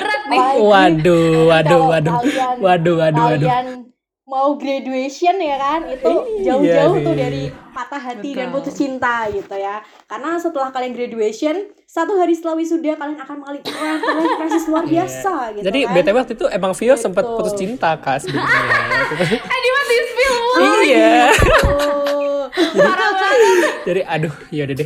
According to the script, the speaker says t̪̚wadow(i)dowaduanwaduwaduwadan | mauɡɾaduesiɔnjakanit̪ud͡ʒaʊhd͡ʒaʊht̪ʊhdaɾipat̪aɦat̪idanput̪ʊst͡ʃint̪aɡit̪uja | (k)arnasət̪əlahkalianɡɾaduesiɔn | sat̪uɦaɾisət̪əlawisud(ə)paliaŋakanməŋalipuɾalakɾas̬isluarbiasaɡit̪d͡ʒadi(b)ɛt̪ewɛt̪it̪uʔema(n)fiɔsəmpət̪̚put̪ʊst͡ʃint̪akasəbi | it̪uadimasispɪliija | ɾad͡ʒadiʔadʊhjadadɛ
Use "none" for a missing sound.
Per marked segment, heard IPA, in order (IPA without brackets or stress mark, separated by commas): a, k, a, b, ŋ